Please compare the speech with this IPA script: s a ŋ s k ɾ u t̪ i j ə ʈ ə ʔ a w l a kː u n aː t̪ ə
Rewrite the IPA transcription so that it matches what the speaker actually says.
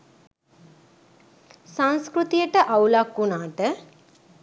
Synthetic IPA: s a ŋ s k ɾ u t̪ i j ə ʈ ə ʔ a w l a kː u n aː t̪ ə